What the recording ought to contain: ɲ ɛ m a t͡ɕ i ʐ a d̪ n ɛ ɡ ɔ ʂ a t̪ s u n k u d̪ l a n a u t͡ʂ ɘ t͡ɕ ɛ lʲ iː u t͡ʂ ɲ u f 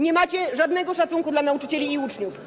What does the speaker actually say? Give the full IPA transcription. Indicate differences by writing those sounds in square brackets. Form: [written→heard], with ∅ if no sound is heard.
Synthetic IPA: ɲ ɛ m a t͡ɕ [i→ɛ] ʐ a d̪ n ɛ ɡ ɔ ʂ a t̪ s u [n→ŋ] k u d̪ l a n a u t͡ʂ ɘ t͡ɕ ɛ lʲ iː u t͡ʂ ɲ u f